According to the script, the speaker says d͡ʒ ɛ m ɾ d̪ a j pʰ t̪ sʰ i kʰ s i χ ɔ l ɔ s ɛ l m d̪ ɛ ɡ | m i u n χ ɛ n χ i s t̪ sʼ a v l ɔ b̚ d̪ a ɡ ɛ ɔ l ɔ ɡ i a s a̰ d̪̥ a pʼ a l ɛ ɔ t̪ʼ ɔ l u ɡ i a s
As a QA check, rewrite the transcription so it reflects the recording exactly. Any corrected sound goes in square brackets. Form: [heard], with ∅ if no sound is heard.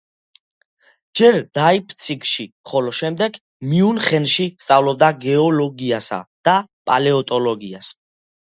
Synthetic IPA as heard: d͡ʒ ɛ [∅] ɾ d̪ a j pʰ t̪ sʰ i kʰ [ʃ] i χ ɔ l ɔ [ʃ] ɛ [∅] m d̪ ɛ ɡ | m i u n χ ɛ n [ʃ] i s t̪ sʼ a v l ɔ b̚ d̪ a ɡ ɛ ɔ l ɔ ɡ i a s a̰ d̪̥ a pʼ a l ɛ ɔ t̪ʼ ɔ l [ɔ] ɡ i a s